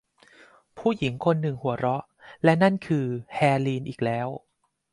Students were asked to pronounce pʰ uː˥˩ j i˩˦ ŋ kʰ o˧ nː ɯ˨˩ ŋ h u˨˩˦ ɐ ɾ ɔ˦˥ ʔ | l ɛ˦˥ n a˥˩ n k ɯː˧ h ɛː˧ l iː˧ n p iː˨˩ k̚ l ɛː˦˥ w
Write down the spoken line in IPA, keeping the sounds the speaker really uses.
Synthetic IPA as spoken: pʰ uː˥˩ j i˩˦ ŋ kʰ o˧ nː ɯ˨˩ ŋ h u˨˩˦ ɐ ɾ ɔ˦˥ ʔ | l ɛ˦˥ n a˥˩ n kʰ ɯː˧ h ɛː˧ l iː˧ n ʔ iː˨˩ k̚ l ɛː˦˥ w